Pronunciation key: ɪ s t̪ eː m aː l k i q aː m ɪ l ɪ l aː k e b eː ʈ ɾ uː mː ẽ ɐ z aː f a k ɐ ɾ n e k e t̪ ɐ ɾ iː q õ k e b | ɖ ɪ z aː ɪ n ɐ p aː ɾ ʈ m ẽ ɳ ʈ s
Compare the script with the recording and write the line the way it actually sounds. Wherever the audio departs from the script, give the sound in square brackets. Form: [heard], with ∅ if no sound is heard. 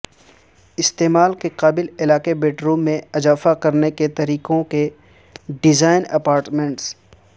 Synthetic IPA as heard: ɪ s t̪ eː m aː l k [e] q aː [b] ɪ l ɪ l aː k e b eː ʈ ɾ uː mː ẽ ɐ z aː f a k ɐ ɾ n e k e t̪ ɐ ɾ iː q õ k e [∅] | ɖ ɪ z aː ɪ n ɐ p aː ɾ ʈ m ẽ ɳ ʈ s